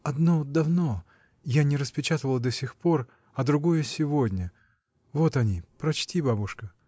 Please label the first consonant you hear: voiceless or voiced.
voiced